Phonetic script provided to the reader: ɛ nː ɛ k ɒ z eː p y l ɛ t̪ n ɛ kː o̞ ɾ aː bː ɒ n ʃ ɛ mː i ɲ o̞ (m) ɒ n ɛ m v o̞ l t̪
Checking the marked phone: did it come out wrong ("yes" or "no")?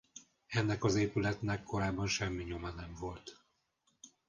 no